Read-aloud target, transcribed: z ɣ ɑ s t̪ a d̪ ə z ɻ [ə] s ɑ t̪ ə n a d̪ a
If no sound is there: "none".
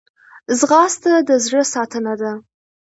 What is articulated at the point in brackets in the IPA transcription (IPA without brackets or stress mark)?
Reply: ə